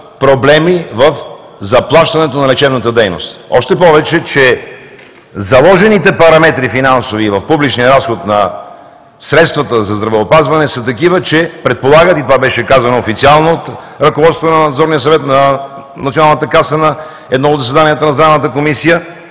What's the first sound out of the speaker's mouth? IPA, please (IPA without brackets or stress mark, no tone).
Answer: p